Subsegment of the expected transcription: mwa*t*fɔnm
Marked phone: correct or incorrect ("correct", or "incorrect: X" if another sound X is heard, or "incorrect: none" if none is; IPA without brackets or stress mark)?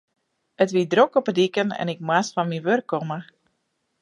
incorrect: s